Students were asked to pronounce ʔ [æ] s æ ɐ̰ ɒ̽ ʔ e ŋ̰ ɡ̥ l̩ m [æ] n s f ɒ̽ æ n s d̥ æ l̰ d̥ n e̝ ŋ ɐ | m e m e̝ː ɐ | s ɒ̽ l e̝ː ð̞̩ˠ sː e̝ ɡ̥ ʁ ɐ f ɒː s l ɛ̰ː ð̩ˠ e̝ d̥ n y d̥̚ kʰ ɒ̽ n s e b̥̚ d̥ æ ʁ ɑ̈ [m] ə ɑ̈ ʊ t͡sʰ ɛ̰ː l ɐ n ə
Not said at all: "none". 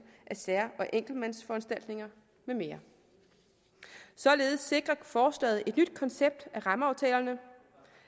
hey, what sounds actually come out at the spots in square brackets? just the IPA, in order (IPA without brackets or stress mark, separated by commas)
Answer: æ, æ, m